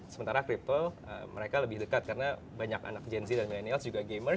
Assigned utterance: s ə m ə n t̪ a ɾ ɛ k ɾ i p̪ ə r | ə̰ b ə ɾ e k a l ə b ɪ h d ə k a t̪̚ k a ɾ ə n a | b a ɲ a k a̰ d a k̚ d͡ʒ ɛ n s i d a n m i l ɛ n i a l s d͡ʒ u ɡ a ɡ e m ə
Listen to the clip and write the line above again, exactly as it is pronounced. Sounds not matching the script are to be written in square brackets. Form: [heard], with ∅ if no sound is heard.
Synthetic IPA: s ə m ə n t̪ a ɾ [a] k ɾ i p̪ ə [l] | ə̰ [m] ə ɾ e k a l ə b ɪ h d ə k a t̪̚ k a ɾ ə n a | b a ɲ a k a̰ [n] a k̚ d͡ʒ ɛ n s i d a n m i l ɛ n i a l s d͡ʒ u ɡ a ɡ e m ə

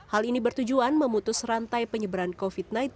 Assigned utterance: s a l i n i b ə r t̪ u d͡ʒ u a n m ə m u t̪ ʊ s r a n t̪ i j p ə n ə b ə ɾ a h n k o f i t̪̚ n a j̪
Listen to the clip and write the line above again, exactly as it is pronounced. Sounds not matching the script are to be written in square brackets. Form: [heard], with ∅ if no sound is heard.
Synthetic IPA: [h] a l i n i b ə r t̪ u d͡ʒ u a n m ə m u t̪ ʊ s r a n t̪ [a] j p ə [ɲ] ə b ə ɾ a [∅] n k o f i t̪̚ n a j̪

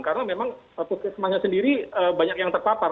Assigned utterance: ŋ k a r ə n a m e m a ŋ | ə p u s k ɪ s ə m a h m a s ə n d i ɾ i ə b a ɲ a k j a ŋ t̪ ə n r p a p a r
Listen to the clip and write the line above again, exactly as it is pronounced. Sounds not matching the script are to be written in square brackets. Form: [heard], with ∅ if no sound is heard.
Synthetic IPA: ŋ k a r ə n a m e m a ŋ | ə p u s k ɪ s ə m a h [ɲ] a s ə n d i ɾ i ə b a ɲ a k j a ŋ t̪ ə [∅] r p a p a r

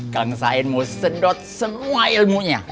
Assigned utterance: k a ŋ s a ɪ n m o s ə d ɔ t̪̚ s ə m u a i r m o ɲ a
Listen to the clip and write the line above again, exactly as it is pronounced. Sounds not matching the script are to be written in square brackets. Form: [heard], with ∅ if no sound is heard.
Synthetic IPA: k a ŋ s a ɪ n m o s ə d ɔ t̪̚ s ə m u a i [l] m [u] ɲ a

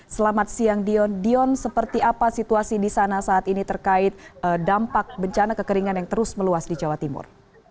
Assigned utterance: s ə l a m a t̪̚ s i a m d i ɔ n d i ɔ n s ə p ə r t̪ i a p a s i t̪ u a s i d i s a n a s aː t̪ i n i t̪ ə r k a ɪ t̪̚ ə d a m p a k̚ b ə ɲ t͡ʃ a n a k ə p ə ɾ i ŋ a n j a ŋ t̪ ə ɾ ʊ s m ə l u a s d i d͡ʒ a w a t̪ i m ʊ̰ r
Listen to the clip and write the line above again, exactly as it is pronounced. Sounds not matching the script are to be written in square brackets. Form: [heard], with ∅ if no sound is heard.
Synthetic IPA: s ə l a m a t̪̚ s i a [ŋ] d i ɔ n d i ɔ n s ə p ə r t̪ i a p a s i t̪ u a s i d i s a n a s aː t̪ i n i t̪ ə r k a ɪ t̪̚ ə d a m p a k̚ b ə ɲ t͡ʃ a n a k ə [k] ə ɾ i ŋ a n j a ŋ t̪ ə ɾ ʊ s m ə l u a s d i d͡ʒ a w a t̪ i m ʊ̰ r

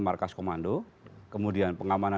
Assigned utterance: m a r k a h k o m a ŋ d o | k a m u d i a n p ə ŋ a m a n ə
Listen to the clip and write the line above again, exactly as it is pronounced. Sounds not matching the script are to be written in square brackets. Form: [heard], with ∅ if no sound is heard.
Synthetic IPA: m a r k a [s] k o m a [n] d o | k [ə] m u d i a n p ə ŋ a m a n [a]

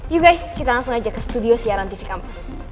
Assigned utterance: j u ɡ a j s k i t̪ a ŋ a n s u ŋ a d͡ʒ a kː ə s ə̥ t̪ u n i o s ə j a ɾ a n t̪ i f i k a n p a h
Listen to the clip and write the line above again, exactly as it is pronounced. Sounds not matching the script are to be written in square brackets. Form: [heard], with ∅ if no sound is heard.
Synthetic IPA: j u ɡ a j s k i t̪ a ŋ a [ŋ] s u ŋ a d͡ʒ a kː ə s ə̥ t̪ u [d] i o s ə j a ɾ a n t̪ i f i k a [m] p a [s]

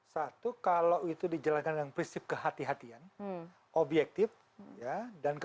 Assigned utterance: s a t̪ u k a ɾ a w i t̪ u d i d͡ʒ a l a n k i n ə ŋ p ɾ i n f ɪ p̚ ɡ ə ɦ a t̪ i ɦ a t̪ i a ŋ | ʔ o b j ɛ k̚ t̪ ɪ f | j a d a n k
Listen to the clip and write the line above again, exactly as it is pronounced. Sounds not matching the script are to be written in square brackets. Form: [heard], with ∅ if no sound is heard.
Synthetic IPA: s a t̪ u k a [l] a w i t̪ u d i d͡ʒ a l a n k [a] n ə ŋ p ɾ i n [s] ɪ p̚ [k] ə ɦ a t̪ i ɦ a t̪ i a [n] | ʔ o b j ɛ k̚ t̪ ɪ f | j a d a n k

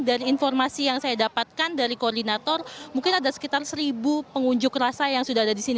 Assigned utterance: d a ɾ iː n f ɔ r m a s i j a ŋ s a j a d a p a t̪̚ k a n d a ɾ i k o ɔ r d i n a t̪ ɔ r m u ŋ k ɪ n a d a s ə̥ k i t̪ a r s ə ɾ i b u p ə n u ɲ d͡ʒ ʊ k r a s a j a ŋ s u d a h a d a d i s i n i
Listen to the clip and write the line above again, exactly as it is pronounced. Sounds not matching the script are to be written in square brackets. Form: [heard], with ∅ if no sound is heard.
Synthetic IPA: d a ɾ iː n f ɔ r m a s i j a ŋ s a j a d a p a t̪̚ k a n d a ɾ i k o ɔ r d i n a t̪ ɔ r m u ŋ k ɪ n a d a s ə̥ k i t̪ a r s ə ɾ i b u p ə [ŋ] u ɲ d͡ʒ ʊ k r a s a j a ŋ s u d a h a d a d i s i n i

